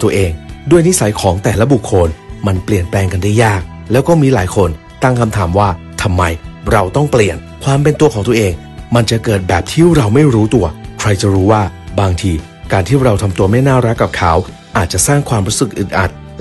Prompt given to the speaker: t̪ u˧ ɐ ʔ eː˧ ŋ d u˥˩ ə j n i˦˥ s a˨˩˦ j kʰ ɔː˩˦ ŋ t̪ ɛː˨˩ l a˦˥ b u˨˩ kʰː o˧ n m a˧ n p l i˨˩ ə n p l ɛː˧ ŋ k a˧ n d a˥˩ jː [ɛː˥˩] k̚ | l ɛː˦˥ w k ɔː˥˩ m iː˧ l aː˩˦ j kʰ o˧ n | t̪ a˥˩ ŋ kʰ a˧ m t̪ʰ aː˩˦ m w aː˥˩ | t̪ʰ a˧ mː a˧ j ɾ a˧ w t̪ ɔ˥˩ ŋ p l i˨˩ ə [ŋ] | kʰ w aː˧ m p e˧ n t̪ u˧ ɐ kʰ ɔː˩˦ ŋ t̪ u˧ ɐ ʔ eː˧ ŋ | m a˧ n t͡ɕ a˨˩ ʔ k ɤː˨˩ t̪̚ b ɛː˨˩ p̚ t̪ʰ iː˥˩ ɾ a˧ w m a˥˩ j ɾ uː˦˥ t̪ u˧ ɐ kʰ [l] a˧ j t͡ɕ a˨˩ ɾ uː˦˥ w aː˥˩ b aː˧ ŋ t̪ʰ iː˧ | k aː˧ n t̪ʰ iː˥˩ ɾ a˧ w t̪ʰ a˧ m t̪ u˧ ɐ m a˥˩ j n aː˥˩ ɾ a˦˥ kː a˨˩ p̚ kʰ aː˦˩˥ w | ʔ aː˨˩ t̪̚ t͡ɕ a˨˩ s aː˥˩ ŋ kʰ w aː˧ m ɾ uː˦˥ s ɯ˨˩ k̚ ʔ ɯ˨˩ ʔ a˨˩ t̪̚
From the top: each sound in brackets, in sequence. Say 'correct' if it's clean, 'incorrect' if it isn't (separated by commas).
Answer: incorrect, incorrect, incorrect